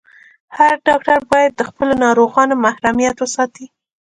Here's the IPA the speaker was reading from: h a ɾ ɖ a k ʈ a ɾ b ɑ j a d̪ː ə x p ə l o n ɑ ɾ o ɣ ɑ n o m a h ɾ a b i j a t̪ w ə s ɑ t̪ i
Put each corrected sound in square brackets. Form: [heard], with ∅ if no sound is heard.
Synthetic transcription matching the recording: h a ɾ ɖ [ɑ] k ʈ a ɾ b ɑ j a d̪ː ə x p ə l o n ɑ ɾ o ɣ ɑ n o m a h ɾ a [m] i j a t̪ w ə s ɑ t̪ i